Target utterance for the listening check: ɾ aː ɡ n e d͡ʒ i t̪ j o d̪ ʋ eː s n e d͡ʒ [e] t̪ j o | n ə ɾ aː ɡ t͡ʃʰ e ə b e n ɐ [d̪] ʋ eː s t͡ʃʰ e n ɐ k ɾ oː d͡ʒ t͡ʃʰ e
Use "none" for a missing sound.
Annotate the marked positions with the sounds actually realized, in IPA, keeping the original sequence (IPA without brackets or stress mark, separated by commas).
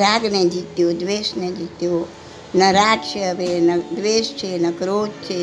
i, d̪